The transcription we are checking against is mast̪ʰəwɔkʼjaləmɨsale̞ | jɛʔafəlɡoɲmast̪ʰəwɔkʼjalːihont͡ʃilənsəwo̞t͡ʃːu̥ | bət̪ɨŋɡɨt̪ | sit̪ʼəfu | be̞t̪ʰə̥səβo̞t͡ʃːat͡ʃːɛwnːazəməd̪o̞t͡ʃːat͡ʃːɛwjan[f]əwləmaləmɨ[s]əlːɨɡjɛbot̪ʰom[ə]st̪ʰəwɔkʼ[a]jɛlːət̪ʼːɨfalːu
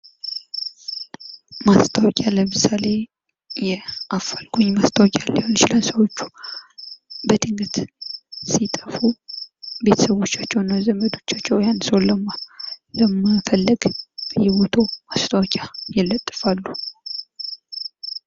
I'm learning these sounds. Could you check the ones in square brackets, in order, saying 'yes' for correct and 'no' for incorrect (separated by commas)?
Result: no, no, no, yes